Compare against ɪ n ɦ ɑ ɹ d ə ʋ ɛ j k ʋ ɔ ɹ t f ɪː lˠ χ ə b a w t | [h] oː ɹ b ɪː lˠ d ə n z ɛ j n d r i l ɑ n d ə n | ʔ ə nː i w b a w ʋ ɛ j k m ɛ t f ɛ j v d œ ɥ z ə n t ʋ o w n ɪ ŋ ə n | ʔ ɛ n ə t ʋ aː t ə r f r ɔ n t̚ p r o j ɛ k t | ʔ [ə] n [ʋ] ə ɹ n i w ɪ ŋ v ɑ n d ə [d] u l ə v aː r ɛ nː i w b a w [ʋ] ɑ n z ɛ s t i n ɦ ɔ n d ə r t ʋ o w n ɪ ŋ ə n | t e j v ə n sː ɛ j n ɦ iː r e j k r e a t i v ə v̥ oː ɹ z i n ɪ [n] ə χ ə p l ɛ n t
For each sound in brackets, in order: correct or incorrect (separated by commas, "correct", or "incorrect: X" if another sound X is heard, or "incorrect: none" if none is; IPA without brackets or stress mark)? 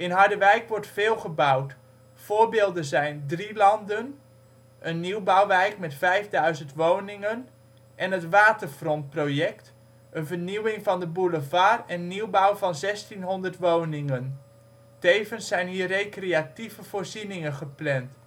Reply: incorrect: f, correct, incorrect: v, incorrect: b, incorrect: v, incorrect: ŋ